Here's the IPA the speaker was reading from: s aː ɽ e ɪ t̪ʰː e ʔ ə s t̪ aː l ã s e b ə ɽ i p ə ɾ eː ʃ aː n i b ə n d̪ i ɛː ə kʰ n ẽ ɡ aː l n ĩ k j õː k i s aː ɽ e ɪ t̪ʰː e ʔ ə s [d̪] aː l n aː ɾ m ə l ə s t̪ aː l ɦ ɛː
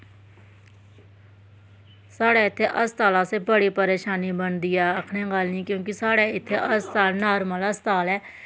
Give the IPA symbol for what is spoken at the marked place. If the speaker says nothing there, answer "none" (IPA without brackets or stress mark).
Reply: t̪